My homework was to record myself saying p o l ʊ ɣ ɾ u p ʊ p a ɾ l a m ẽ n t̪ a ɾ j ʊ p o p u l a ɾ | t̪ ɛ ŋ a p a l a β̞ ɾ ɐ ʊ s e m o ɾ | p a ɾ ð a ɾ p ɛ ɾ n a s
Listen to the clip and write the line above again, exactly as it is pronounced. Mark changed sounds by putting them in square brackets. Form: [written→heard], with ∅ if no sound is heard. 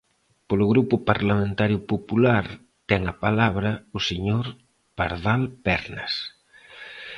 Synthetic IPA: p o l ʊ ɣ ɾ u p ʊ p a ɾ l a m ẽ n t̪ a ɾ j ʊ p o p u l a ɾ | t̪ ɛ ŋ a p a l a β̞ ɾ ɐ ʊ s e [m→ɲ] o ɾ | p a ɾ ð a [ɾ→l] p ɛ ɾ n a s